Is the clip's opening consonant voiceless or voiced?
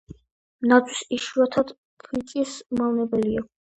voiced